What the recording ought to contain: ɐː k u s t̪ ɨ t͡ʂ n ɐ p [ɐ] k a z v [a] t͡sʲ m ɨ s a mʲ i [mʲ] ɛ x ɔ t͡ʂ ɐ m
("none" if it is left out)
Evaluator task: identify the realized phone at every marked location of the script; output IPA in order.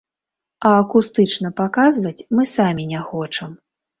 a, ɐ, nʲ

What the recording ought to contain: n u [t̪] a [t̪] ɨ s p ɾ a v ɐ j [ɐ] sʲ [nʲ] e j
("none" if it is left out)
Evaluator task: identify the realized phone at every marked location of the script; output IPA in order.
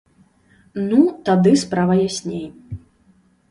t̪, d̪, a, nʲ

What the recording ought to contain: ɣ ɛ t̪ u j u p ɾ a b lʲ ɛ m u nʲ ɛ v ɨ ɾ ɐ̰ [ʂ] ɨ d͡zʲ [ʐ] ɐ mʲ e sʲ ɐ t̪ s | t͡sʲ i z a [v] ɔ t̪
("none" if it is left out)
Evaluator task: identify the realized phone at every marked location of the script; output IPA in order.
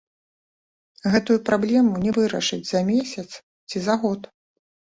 ʂ, z, ɣ

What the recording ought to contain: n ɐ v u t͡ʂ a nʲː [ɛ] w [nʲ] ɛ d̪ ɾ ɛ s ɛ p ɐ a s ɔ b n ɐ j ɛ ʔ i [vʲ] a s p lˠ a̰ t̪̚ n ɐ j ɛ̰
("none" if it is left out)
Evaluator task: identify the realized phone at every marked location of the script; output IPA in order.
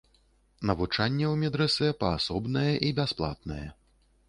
ɛ, mʲ, bʲ

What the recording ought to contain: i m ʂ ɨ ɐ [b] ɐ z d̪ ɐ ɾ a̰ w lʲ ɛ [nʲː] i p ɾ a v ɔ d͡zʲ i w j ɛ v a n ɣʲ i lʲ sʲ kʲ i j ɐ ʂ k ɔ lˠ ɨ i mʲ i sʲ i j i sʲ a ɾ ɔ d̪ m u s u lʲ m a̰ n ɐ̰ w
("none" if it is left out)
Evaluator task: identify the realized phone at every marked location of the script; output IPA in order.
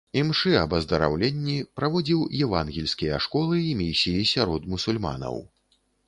b, nʲː

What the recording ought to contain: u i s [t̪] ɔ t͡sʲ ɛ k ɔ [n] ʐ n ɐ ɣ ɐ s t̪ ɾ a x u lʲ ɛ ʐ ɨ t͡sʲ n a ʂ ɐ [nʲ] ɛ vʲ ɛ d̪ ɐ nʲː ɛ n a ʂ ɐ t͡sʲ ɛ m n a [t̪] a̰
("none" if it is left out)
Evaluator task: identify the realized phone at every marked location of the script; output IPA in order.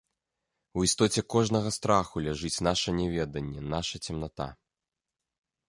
t̪, none, nʲ, t̪

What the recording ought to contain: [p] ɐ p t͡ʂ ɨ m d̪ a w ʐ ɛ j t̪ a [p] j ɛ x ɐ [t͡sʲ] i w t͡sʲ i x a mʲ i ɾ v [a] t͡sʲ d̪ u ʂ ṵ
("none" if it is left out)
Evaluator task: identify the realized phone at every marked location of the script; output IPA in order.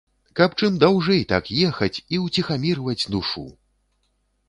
k, k, t͡sʲ, ɐ

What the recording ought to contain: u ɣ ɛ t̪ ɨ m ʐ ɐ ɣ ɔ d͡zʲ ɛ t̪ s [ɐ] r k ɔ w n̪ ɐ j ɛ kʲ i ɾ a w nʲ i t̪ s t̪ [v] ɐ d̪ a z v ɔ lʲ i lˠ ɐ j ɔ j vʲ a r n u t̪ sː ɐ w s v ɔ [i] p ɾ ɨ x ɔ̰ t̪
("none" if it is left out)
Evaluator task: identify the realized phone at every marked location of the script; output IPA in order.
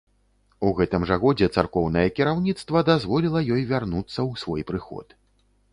a, v, j

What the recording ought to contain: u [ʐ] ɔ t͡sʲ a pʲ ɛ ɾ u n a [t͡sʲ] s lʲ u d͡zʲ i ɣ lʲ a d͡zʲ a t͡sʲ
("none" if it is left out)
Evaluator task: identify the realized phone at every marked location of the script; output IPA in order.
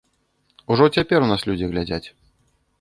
ʐ, none

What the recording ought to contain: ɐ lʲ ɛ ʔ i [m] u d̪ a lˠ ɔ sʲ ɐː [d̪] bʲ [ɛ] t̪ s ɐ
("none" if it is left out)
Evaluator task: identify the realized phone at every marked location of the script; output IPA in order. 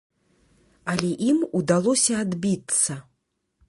m, d̪, i

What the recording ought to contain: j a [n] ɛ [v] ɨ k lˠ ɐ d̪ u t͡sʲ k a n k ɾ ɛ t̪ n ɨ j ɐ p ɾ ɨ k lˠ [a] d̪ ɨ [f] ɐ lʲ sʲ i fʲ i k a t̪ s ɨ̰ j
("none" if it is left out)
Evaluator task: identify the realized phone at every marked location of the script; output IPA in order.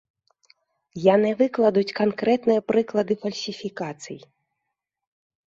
n, v, ɐ, f

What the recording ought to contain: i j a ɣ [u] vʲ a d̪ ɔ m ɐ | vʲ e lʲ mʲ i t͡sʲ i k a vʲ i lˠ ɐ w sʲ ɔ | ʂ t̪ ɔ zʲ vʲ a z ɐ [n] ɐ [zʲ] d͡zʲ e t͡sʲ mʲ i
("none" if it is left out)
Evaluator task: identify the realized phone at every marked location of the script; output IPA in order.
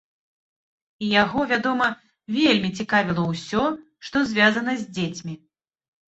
ɔ, n, zʲ

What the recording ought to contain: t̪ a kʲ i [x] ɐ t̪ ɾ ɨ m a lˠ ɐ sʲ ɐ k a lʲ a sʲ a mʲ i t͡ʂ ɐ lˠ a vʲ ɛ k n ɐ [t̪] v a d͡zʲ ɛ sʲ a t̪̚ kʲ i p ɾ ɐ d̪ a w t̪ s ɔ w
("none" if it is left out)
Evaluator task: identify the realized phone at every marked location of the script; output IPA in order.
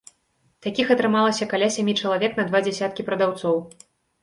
x, d̪

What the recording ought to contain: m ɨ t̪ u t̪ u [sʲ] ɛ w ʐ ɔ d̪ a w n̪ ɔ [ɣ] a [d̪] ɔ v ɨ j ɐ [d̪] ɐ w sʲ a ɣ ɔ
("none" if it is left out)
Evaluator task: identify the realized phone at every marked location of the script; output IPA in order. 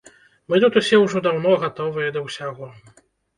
sʲ, ɣ, t̪, d̪

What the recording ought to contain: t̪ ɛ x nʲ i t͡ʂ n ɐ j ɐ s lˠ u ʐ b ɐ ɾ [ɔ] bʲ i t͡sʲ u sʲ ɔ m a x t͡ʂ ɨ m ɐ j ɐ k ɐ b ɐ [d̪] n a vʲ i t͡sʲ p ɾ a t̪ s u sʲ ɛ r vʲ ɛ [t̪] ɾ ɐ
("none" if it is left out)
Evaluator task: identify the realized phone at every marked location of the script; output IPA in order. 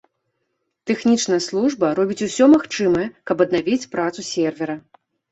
ɔ, d̪, none

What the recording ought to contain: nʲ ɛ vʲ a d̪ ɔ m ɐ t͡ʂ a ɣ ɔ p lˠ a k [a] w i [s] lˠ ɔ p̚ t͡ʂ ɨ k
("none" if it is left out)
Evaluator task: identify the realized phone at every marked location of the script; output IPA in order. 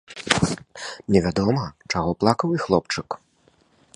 ɐ, x

